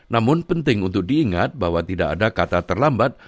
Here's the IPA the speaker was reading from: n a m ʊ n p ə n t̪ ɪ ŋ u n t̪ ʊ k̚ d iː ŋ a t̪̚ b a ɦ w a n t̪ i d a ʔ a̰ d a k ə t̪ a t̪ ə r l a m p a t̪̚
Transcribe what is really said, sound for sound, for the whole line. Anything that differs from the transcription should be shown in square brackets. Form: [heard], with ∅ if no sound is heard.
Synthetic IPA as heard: n a m ʊ n p ə n t̪ ɪ ŋ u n t̪ ʊ k̚ d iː ŋ a t̪̚ b a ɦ w a [∅] t̪ i d a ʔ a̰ d a k [a] t̪ a t̪ ə r l a m [b] a t̪̚